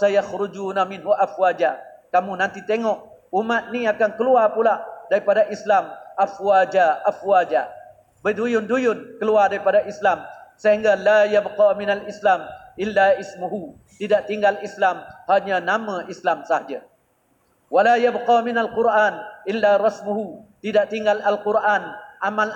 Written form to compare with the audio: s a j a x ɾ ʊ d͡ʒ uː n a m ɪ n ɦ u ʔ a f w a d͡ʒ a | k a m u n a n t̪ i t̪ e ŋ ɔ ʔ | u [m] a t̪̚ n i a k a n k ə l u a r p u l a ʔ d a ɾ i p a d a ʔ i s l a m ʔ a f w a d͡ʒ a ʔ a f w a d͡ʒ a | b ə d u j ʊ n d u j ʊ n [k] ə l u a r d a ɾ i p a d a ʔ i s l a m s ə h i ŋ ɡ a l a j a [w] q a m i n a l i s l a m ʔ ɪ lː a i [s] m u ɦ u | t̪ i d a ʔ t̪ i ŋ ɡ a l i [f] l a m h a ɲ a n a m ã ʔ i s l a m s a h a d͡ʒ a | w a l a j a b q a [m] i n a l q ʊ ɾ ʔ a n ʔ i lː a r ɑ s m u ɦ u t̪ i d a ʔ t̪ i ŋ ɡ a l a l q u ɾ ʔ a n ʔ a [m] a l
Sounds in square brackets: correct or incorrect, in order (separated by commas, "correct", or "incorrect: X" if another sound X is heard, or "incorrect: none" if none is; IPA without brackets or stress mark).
correct, correct, incorrect: b, correct, incorrect: s, correct, correct